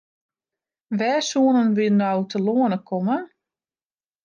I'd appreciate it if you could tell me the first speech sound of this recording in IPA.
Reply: ʋ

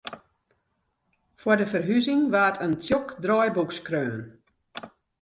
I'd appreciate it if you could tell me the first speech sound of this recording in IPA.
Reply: f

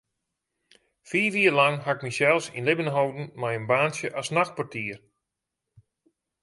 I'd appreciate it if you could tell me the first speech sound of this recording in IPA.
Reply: f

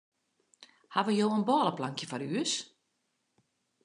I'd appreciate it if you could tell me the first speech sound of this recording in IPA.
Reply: h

